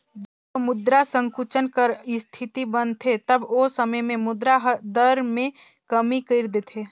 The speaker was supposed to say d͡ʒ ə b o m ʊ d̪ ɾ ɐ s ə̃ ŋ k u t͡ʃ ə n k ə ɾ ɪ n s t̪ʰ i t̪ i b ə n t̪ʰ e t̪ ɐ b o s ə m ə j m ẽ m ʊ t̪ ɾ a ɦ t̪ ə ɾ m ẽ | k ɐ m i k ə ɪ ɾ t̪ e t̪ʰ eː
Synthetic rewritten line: d͡ʒ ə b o m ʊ d̪ ɾ a s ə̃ ŋ k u t͡ʃ ə n k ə ɾ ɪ s t̪ʰ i t̪ i b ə n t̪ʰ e t̪ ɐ b o s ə m ə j m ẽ m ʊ d̪ ɾ a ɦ d̪ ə ɾ m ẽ | k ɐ m i k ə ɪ ɾ d̪ e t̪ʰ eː